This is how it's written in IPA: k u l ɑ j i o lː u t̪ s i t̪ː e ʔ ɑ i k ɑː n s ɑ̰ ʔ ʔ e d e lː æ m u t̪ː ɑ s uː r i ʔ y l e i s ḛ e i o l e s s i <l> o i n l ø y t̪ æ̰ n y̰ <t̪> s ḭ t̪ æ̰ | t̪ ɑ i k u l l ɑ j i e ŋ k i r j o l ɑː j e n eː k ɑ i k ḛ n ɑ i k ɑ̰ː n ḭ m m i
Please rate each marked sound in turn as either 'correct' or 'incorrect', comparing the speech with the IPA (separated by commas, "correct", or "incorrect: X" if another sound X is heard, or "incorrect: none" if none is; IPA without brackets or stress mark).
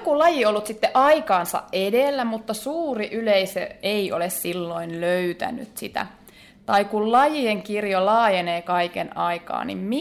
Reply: incorrect: lː, correct